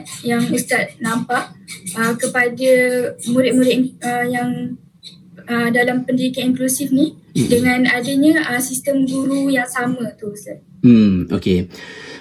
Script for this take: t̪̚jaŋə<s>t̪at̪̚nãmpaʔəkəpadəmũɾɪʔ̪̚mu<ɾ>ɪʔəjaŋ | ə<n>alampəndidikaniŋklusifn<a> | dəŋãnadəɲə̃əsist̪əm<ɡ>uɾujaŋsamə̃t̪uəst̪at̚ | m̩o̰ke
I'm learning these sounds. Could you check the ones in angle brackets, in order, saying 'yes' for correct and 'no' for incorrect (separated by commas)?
yes, yes, no, no, yes